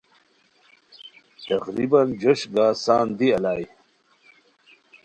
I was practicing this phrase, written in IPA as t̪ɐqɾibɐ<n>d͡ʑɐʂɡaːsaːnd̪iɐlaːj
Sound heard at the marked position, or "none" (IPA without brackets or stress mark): n